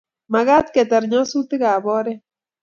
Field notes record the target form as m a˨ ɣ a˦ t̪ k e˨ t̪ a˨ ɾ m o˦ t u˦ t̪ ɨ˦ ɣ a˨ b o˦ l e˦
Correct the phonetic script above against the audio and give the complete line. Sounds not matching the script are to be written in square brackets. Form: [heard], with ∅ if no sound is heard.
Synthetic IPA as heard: m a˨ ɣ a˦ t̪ k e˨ t̪ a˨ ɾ [ɲ] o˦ [s] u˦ t̪ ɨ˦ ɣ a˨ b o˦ [ɾ] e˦